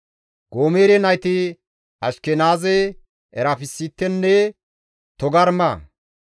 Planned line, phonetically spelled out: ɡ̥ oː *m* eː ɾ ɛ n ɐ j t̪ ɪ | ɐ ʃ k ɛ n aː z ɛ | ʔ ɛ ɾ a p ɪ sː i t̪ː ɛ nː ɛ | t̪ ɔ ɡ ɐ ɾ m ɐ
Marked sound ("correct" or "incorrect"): correct